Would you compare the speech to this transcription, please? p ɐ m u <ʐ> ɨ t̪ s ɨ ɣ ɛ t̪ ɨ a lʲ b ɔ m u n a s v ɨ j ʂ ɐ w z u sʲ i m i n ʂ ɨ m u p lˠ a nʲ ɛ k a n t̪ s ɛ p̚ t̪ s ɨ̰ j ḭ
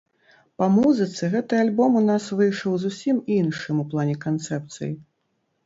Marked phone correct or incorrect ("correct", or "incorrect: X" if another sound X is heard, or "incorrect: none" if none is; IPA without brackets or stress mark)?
incorrect: z